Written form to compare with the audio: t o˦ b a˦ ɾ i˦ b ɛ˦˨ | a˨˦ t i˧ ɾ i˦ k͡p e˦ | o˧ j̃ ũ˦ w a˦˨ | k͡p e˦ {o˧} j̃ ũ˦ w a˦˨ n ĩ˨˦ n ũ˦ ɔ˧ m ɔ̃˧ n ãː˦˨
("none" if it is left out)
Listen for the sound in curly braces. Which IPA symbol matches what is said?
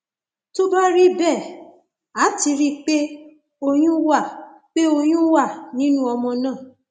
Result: o˧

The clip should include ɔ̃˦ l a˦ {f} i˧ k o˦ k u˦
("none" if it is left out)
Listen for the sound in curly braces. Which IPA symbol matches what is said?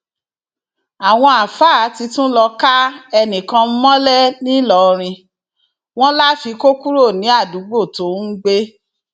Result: f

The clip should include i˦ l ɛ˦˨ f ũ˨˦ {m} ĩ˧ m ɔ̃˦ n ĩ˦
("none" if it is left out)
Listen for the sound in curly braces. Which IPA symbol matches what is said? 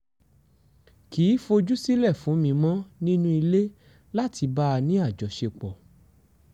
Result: m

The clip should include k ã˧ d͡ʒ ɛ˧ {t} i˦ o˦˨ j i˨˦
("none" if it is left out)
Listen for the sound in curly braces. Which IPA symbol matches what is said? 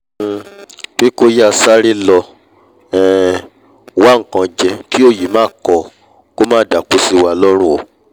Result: k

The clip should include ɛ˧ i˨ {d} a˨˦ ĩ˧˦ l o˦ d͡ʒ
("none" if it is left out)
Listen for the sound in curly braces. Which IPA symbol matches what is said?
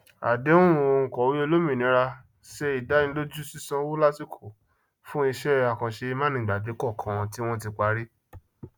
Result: d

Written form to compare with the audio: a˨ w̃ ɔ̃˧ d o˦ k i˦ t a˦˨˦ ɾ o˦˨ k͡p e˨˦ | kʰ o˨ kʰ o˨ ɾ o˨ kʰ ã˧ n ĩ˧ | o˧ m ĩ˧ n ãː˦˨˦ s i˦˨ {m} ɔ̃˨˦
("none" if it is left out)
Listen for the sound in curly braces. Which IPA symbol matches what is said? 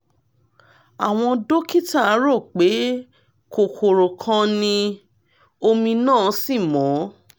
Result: m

